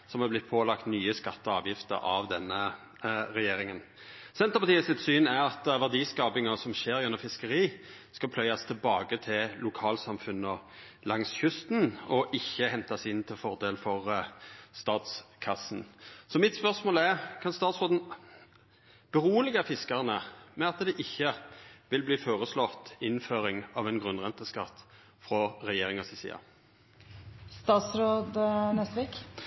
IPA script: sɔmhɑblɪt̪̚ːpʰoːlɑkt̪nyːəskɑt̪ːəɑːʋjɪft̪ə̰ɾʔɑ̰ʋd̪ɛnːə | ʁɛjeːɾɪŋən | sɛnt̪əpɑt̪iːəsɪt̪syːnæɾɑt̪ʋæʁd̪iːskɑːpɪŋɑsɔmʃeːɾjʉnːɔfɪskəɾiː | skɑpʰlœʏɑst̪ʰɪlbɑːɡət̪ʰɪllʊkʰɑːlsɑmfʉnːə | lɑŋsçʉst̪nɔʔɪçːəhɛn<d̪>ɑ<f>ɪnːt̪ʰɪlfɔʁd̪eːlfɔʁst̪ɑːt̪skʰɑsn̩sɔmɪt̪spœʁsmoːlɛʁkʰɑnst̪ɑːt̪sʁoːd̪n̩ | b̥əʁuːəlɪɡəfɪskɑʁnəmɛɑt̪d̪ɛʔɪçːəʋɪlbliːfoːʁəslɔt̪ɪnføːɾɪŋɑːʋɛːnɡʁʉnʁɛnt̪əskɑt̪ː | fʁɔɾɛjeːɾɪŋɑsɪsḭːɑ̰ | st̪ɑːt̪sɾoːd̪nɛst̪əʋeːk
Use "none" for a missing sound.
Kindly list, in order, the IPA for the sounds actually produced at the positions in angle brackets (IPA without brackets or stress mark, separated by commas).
t̪, s